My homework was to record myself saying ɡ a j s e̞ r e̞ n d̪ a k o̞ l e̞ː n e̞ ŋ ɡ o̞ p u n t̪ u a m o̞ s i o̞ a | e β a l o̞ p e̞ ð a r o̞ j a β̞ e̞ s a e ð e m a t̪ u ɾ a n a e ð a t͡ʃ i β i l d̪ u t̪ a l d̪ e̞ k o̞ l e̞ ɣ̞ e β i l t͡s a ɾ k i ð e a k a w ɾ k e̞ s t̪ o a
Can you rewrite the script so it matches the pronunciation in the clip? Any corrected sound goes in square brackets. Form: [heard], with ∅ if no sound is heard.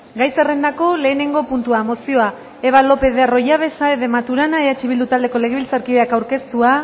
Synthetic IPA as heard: ɡ a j s e̞ r e̞ n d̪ a k o̞ l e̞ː n e̞ ŋ ɡ o̞ p u n t̪ u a m o̞ s i o̞ a | e β a l o̞ p e̞ ð [e] r o̞ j a β̞ e̞ s a e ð e m a t̪ u ɾ a n a e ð a t͡ʃ i β i l d̪ u t̪ a l d̪ e̞ k o̞ l e̞ ɣ̞ e β i l t͡s a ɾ k i ð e a k a w ɾ k e̞ s t̪ [u] a